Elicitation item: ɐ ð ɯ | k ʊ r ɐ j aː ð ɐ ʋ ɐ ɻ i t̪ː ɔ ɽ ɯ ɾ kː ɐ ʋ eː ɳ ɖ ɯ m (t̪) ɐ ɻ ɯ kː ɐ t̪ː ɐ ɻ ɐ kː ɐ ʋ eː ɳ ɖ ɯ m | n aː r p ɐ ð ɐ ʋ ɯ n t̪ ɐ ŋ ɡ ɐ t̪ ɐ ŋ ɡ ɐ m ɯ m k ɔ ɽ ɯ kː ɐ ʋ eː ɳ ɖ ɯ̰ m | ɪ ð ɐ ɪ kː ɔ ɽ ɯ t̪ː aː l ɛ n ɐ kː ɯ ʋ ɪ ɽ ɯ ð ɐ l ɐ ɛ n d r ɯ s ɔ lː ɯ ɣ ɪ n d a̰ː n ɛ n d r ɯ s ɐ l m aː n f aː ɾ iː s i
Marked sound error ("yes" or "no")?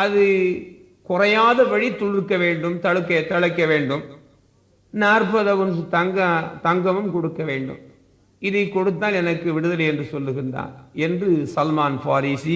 no